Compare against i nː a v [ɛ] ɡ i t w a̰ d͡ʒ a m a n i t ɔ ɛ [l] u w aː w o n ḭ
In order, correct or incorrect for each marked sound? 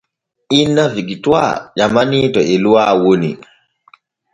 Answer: incorrect: i, correct

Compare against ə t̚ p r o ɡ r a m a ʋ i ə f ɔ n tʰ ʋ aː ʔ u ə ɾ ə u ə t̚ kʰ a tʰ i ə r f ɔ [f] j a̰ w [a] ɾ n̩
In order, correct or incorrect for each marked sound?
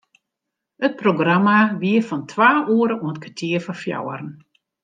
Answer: correct, incorrect: ə

